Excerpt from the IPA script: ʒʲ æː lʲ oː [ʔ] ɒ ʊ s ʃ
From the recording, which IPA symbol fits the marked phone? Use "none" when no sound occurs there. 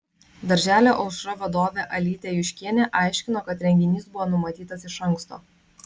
ʔ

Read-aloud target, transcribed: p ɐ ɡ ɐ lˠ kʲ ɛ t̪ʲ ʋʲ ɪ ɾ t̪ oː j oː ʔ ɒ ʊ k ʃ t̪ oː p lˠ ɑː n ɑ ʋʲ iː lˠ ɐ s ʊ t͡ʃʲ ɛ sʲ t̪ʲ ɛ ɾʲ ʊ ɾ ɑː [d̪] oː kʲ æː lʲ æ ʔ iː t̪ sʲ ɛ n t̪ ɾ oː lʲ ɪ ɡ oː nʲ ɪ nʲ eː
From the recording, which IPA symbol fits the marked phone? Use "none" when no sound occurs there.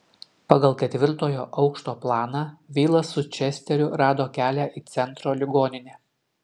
d̪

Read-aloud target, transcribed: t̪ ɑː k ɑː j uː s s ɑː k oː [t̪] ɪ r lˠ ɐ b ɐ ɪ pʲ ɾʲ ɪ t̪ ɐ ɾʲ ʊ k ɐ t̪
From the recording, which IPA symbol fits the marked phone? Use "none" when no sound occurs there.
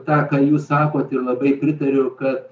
t̪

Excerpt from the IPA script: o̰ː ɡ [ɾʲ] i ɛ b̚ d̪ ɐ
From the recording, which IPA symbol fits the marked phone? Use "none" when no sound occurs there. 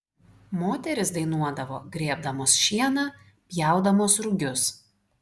ɾʲ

